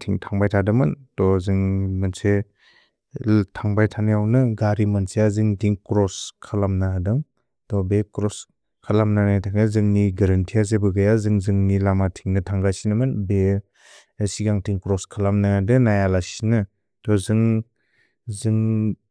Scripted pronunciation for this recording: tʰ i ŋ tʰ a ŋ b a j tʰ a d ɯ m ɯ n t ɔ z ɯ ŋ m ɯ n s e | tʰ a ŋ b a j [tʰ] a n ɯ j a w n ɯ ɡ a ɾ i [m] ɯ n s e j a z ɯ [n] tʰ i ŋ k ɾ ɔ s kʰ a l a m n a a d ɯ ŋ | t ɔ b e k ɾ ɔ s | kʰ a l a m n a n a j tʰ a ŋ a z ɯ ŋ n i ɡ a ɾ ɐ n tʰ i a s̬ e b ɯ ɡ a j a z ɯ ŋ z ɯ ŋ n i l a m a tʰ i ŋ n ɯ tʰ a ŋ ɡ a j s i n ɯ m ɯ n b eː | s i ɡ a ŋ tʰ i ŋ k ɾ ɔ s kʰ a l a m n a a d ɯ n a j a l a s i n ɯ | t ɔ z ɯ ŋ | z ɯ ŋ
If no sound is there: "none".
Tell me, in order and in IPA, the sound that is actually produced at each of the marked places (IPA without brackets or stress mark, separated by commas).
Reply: tʰ, m, ŋ